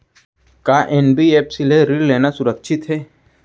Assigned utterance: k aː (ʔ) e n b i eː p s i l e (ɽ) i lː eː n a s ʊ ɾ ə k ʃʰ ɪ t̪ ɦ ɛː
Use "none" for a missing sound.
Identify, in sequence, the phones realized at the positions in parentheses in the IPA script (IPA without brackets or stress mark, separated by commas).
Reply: ʔ, ɾ